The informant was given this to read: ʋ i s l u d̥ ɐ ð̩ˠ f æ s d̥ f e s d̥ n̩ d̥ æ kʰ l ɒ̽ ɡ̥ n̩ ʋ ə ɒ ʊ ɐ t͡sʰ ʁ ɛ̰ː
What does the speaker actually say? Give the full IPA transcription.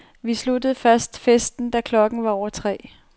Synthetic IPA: ʋ i s l u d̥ ə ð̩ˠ f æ s d̥ f e s d̥ n̩ d̥ æ kʰ l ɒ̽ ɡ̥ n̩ ʋ ɑ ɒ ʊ ɐ t͡sʰ ʁ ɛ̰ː

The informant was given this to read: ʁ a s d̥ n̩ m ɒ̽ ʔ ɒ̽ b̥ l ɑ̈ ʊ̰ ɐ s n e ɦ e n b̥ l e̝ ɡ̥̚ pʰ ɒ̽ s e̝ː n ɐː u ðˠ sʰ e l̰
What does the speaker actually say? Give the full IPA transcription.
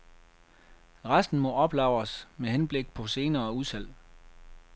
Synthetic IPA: ʁ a s d̥ n̩ m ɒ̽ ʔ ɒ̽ b̥ l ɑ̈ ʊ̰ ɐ s m e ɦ e n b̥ l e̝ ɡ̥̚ pʰ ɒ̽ s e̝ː n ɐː u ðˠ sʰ æ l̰

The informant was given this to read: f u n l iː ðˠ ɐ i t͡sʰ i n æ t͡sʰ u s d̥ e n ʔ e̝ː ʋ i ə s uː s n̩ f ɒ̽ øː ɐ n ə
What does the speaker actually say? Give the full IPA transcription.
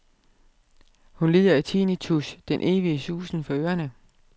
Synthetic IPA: h u n l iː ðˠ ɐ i t͡sʰ i n i t͡sʰ u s d̥ e n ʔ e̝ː ʋ i ə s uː s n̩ f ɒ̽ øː ɐ n ə

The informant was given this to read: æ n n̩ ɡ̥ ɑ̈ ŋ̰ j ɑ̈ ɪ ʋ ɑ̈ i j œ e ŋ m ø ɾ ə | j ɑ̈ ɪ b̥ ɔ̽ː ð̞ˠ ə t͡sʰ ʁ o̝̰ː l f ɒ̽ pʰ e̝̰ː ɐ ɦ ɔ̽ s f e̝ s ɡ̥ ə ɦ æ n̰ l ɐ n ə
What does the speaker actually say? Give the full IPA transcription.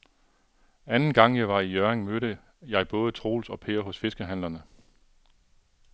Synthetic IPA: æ n n̩ ɡ̥ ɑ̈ ŋ̰ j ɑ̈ ɪ ʋ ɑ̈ i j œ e ŋ m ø ɾ ə | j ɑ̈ ɪ b̥ ɔ̽ː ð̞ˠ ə t͡sʰ ʁ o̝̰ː l s ɒ̽ pʰ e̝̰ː ɐ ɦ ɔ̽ s f e̝ s ɡ̥ ə ɦ æ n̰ l ɐ n ə

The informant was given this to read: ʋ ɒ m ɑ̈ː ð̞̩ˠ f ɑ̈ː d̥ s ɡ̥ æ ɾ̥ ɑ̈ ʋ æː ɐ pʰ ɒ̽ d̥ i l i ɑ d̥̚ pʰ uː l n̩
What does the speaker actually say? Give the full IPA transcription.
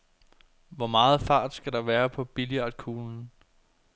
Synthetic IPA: ʋ ɒ m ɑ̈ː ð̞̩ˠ f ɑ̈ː d̥ s ɡ̥ æ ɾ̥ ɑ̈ ʋ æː ɐ pʰ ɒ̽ b̥ i l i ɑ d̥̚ kʰ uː l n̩

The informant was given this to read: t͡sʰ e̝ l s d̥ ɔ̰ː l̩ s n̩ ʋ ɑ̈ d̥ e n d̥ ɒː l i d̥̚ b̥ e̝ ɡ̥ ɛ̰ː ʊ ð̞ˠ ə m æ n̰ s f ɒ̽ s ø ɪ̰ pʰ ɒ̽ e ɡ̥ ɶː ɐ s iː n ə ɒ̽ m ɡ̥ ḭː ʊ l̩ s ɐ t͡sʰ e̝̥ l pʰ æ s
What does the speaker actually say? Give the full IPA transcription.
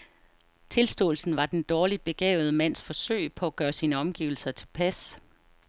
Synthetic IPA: t͡sʰ e̝ l s d̥ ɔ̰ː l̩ s n̩ ʋ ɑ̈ d̥ e n d̥ ɒː l i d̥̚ b̥ e̝ ɡ̥ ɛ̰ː ʊ ð̞ˠ ə m æ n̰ s f ɒ̽ s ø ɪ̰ pʰ ɒ̽ æ ɡ̥ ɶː ɐ s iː n ə ɒ̽ m ɡ̥ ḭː ʊ l̩ s ɐ t͡sʰ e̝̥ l pʰ æ s

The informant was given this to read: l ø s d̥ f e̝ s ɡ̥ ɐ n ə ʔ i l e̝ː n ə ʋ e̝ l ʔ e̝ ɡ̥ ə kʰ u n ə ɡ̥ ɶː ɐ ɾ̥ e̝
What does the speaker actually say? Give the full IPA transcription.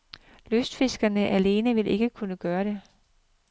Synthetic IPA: l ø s d̥ f e̝ s ɡ̥ ɐ n ə ʔ æ l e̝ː n ə ʋ e̝ l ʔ e̝ ɡ̥ ə kʰ u n ə ɡ̥ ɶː ɐ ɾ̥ e̝

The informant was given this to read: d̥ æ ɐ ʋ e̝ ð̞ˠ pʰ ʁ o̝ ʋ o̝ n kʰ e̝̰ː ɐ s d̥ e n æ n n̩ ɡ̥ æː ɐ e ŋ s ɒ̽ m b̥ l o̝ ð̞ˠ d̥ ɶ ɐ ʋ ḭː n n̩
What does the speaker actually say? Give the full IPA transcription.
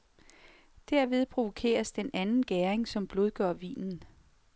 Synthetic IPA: d̥ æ ɐ ʋ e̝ ð̞ˠ pʰ ʁ o̝ ʋ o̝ kʰ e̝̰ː ɐ s d̥ e n æ n n̩ ɡ̥ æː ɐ e ŋ s ɒ̽ m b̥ l o̝ ð̞ˠ ɡ̥ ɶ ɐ ʋ ḭː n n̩

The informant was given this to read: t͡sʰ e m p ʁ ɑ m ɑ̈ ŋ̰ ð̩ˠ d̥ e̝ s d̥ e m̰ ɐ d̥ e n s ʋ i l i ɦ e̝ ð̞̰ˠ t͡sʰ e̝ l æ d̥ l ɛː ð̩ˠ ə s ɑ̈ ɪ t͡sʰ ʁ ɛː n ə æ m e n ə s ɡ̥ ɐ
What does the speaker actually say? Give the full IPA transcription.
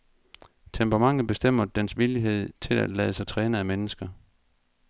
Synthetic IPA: t͡sʰ e m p ʁ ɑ m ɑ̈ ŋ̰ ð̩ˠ b̥ e̝ s d̥ e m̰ ɐ d̥ e n s ʋ i l i ɦ e̝ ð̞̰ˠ t͡sʰ e̝ l æ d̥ l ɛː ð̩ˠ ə s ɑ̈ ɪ t͡sʰ ʁ ɛː n ə æ m e n ə s ɡ̥ ɐ

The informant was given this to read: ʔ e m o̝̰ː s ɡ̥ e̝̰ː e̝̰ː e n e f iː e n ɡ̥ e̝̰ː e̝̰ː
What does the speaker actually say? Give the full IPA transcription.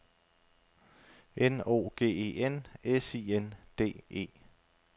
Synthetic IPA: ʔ e n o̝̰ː ɡ̥ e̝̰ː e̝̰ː e n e s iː e n d̥ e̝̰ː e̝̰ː

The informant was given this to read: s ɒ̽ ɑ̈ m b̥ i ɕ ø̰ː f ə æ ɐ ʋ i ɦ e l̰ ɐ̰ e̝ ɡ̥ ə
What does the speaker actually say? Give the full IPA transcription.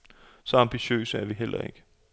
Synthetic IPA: s ɒ̽ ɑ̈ m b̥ i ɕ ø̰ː s ə æ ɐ ʋ i ɦ e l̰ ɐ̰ e̝ ɡ̥ ə

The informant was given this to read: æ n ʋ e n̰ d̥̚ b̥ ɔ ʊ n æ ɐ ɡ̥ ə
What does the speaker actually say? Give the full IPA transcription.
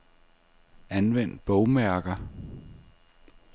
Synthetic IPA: æ n ʋ e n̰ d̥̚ b̥ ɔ ʊ m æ ɐ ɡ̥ ɐ

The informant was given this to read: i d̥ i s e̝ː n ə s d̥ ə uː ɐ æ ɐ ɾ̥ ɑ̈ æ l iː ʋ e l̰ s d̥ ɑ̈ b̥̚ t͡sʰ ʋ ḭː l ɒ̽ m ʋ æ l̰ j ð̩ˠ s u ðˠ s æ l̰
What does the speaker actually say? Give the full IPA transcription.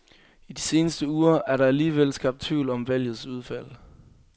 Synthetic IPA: i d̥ i s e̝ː n ə s d̥ ə uː ɐ æ ɐ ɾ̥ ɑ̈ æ l iː ʋ e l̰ s ɡ̥ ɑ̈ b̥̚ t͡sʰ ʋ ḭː l ɒ̽ m ʋ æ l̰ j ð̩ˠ s u ðˠ f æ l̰

